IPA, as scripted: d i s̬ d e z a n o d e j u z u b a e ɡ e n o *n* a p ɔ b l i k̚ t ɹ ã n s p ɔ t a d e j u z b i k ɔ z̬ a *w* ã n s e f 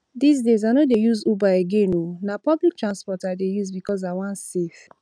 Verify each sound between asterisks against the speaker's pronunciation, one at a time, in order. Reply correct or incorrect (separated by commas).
correct, correct